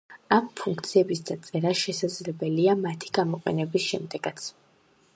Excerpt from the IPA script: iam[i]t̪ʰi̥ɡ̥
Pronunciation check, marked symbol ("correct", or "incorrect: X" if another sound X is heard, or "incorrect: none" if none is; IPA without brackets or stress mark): incorrect: a